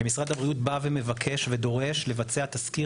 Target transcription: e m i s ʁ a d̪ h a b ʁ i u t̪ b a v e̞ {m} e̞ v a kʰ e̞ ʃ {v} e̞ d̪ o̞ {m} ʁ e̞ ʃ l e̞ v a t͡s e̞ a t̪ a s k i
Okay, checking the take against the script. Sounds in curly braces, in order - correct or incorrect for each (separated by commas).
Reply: correct, correct, incorrect